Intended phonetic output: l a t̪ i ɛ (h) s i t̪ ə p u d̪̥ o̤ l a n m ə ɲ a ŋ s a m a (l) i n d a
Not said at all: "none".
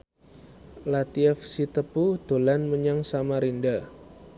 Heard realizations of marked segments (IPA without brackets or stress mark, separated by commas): f, ɾ